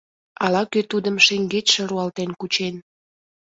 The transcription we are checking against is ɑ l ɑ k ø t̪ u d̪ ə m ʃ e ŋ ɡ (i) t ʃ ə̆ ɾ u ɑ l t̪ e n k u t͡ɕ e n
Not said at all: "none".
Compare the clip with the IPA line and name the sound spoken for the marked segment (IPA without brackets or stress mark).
e